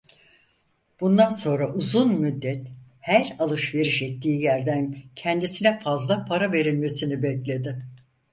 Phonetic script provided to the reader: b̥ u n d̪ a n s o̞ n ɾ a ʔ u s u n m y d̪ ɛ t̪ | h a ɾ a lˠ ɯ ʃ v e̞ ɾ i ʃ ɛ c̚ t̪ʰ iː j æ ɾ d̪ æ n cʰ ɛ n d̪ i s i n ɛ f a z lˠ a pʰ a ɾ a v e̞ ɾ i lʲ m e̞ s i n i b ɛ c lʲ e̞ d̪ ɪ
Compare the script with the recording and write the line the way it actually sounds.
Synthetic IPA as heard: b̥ u n d̪ a n s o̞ n ɾ a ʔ u z u n m y d̪ː ɛ t̪ | h æ ɾ a lˠ ɯ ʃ v e̞ ɾ i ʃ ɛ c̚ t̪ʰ iː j æ ɾ d̪ æ n cʰ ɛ n d̪ i s i n ɛ f a z lˠ a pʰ a ɾ a v e̞ ɾ i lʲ m e̞ s i n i b ɛ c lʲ e̞ d̪ ɪ